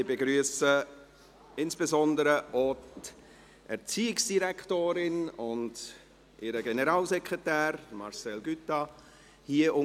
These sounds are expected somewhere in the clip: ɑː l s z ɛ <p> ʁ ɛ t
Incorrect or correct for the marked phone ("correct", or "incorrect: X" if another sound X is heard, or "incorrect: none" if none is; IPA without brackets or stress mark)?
incorrect: k